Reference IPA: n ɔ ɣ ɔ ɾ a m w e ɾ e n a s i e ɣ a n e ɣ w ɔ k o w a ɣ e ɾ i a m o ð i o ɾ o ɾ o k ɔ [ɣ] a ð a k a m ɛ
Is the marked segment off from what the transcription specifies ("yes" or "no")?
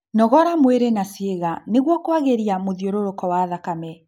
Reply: yes